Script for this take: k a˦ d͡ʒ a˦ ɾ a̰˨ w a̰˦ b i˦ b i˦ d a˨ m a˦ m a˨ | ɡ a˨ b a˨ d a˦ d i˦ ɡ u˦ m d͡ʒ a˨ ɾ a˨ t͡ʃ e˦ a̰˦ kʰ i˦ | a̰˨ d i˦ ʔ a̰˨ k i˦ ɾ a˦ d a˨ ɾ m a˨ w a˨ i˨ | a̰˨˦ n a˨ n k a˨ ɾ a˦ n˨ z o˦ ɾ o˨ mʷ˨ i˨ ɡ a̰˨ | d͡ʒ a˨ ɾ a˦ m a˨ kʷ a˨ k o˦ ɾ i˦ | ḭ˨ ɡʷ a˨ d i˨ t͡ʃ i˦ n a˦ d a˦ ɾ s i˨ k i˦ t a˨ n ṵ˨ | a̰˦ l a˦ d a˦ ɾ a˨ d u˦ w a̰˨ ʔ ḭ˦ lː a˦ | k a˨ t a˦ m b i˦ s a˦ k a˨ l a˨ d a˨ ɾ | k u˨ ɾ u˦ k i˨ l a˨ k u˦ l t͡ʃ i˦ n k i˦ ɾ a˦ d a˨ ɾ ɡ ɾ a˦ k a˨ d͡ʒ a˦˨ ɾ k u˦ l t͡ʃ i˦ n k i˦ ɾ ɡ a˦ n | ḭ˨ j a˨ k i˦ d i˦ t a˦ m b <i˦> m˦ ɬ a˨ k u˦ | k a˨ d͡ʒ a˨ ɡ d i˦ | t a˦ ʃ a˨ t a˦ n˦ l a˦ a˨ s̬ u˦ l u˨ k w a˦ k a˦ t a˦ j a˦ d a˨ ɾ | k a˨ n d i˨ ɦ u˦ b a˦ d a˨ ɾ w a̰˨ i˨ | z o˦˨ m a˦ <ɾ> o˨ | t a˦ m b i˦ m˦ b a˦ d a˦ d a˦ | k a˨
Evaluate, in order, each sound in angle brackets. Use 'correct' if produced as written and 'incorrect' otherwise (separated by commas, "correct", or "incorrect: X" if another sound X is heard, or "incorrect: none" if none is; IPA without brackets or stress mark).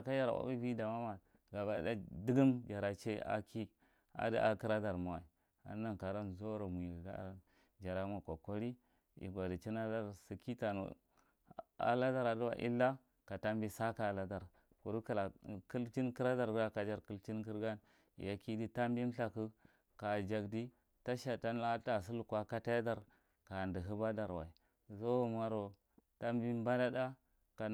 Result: correct, correct